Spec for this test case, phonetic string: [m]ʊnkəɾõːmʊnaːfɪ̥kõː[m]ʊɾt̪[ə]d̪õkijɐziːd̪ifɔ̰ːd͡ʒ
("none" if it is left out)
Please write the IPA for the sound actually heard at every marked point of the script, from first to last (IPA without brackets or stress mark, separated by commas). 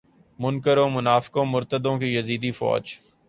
m, m, ə